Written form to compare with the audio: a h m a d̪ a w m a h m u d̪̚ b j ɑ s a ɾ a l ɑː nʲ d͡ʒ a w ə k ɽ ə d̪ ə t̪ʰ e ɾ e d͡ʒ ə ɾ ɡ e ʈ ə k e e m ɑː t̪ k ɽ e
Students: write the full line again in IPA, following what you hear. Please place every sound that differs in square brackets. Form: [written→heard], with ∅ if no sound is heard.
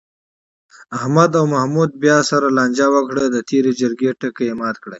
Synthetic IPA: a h m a d̪ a w m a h m u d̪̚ b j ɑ s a ɾ a l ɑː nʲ d͡ʒ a w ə k ɽ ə d̪ ə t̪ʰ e ɾ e d͡ʒ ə ɾ ɡ e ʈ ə k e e m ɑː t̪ k ɽ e